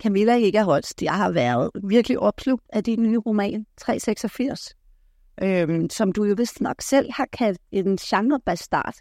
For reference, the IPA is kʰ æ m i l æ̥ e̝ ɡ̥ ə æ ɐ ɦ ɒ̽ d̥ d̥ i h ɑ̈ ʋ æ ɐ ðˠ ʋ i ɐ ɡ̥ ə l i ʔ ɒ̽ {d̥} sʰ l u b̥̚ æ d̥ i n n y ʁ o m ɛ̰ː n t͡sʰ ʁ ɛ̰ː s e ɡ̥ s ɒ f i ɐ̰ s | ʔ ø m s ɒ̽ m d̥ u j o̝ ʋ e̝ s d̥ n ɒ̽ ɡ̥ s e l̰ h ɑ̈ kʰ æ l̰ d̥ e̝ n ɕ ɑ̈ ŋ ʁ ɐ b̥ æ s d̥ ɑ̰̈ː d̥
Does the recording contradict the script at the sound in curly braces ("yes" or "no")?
yes